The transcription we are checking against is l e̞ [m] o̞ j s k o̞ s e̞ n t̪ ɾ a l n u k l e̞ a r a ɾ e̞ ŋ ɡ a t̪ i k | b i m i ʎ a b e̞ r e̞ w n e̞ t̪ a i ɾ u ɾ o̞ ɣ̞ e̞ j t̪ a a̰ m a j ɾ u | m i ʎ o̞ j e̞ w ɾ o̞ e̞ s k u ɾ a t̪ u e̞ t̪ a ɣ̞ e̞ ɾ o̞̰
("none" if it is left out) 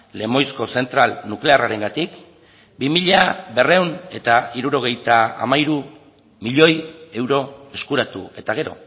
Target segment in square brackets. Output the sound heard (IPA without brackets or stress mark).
m